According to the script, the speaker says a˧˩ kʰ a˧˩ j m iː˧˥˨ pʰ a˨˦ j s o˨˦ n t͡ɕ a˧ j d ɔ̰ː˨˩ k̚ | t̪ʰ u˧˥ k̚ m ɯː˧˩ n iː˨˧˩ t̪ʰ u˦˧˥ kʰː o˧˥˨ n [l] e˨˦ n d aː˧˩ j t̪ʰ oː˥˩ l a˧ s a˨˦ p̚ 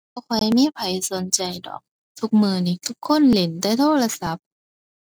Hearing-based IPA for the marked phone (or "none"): l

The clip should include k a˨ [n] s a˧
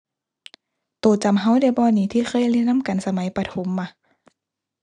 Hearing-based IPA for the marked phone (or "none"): n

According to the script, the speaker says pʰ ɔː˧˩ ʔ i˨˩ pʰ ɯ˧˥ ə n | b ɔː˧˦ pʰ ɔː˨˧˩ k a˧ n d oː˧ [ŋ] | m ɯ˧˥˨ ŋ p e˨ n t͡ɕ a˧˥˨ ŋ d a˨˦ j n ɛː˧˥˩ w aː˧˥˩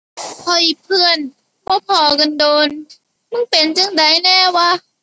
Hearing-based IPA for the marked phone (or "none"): n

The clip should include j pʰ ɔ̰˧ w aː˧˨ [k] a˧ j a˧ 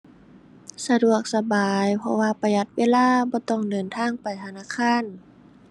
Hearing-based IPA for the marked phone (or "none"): p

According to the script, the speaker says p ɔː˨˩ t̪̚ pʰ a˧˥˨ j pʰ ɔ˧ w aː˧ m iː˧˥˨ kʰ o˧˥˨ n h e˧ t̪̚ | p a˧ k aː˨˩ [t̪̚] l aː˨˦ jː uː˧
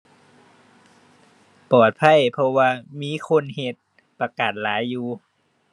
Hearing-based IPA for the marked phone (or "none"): t̪̚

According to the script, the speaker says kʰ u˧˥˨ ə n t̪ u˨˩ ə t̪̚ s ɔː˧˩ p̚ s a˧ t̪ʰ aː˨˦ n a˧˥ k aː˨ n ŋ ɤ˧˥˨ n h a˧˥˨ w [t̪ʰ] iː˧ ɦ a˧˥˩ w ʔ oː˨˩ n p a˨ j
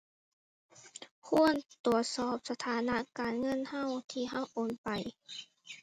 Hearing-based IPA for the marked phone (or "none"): t̪ʰ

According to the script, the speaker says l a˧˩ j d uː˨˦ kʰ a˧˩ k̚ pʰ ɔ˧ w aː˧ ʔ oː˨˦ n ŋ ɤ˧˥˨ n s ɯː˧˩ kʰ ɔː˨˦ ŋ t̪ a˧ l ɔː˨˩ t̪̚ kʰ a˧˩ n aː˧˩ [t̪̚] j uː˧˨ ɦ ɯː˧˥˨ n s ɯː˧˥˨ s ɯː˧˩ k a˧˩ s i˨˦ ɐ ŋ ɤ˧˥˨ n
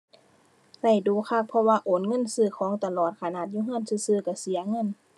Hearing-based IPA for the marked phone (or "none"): t̪̚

